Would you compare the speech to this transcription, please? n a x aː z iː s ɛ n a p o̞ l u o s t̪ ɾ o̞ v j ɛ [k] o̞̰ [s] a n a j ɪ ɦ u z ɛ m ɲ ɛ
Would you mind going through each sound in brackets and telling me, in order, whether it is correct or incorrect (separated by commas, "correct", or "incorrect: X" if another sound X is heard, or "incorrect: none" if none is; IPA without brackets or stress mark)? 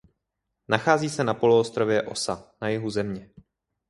incorrect: ʔ, correct